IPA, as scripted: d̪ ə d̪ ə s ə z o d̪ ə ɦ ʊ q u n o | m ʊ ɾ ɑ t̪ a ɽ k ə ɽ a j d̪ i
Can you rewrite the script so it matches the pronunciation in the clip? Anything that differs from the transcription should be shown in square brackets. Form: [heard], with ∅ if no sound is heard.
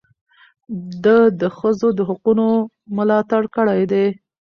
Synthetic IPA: d̪ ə d̪ ə [x] ə z o d̪ ə ɦ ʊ q u n o | m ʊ [l] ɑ t̪ a ɽ k ə ɽ a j d̪ [e]